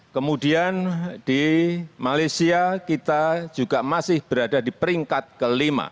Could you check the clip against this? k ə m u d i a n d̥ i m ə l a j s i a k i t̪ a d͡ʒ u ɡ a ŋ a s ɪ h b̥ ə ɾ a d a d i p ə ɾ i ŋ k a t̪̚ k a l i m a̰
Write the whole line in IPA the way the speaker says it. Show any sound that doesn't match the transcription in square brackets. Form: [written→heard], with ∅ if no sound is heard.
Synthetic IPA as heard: k ə m u d i a n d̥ i m [ə→a] l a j s i a k i t̪ a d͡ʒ u ɡ a [ŋ→m] a s ɪ h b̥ ə ɾ a d a d i p ə ɾ i ŋ k a t̪̚ k [a→ə] l i m a̰